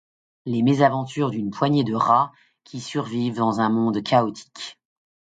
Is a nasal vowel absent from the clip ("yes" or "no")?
no